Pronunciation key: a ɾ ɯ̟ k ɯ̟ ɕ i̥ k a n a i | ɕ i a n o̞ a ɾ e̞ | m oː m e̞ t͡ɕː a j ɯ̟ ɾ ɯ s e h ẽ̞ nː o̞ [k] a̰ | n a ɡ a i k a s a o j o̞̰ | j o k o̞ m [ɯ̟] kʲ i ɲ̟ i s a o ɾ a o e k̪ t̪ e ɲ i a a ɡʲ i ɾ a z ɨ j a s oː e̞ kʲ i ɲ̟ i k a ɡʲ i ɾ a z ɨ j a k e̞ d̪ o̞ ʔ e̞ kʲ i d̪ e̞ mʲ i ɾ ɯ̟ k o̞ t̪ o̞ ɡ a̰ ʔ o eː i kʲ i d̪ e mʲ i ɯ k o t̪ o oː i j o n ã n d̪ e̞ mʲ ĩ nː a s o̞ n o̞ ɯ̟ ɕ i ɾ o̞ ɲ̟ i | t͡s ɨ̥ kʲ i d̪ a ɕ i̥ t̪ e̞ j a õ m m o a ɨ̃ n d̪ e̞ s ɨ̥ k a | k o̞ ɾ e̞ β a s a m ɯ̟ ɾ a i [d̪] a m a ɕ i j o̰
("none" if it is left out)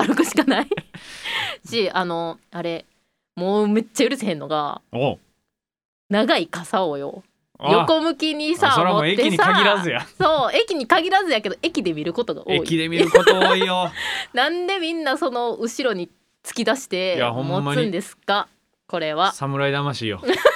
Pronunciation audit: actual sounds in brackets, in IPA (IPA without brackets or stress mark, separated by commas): ɡ, ɯ̟, d̪